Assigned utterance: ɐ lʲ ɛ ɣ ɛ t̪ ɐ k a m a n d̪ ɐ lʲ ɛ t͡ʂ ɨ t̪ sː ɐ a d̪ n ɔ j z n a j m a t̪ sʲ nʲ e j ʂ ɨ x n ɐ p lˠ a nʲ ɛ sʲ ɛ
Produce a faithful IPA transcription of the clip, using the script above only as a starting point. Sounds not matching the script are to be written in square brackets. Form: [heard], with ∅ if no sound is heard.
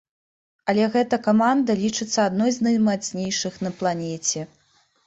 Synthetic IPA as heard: ɐ lʲ ɛ ɣ ɛ t̪ ɐ k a m a n d̪ ɐ lʲ [i] t͡ʂ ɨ t̪ sː ɐ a d̪ n ɔ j z n [ɐ] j m a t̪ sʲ nʲ e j ʂ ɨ x n ɐ p lˠ a nʲ ɛ [t͡sʲ] ɛ